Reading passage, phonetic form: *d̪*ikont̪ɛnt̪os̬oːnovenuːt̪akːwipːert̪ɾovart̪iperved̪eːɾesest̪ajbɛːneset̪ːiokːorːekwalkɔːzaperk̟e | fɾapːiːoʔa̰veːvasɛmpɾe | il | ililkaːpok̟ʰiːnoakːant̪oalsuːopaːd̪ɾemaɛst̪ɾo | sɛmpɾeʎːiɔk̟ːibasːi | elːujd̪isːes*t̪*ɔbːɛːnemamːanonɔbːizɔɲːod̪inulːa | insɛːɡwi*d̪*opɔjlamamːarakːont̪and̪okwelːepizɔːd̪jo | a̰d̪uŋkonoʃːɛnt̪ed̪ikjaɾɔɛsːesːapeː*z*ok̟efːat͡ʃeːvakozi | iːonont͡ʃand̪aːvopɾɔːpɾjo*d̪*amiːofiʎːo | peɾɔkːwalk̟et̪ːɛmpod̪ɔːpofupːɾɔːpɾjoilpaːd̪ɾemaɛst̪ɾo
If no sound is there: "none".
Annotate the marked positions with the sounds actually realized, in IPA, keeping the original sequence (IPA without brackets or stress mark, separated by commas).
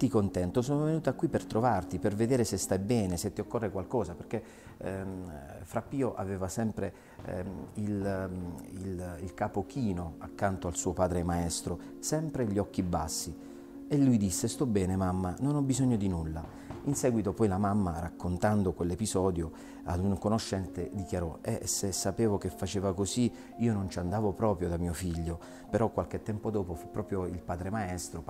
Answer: t̪, t̪, t̪, v, d̪